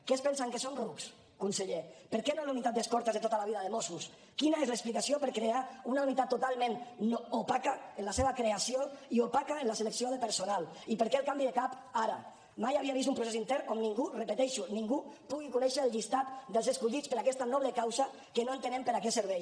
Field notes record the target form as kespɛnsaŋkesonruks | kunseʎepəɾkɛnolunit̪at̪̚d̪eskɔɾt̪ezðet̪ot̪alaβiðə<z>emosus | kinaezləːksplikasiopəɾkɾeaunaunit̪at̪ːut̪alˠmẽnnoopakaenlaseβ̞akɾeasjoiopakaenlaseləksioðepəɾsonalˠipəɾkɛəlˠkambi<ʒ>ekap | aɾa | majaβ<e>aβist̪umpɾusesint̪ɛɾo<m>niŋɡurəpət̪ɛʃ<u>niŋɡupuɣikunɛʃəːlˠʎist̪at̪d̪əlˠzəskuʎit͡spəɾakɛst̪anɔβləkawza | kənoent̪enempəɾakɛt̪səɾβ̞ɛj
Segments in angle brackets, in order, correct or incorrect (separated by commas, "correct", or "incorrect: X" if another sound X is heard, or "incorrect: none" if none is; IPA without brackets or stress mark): incorrect: ð, incorrect: ð, incorrect: i, correct, correct